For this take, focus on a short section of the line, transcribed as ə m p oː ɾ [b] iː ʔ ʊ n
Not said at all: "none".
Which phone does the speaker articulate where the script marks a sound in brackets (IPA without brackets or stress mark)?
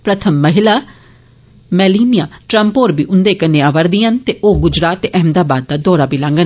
b